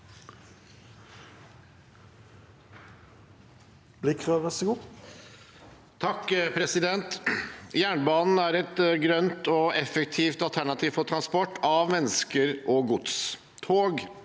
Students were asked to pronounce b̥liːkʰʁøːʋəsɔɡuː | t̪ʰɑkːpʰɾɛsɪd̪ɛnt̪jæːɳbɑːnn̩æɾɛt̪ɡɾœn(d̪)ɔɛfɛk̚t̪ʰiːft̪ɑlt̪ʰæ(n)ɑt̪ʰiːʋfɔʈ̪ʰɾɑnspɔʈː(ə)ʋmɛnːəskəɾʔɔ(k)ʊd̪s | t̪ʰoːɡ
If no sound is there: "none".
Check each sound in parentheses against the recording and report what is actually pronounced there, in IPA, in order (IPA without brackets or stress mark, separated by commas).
t̪, ɳ, ɑ, ɡ